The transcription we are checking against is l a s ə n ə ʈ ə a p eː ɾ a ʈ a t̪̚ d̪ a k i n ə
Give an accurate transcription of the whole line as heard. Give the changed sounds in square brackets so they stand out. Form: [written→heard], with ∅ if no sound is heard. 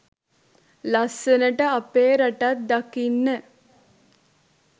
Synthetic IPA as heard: l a s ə n ə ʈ ə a p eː ɾ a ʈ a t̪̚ d̪ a k i [n→nː] ə